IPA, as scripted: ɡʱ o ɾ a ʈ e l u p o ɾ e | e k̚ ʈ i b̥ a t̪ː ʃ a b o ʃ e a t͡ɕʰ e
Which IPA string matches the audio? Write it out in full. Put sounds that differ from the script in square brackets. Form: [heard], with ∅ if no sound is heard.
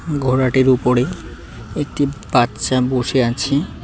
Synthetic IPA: ɡʱ o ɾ a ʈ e [ɾ] u p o ɾ e | e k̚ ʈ i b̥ a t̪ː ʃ a b o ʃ e a t͡ɕʰ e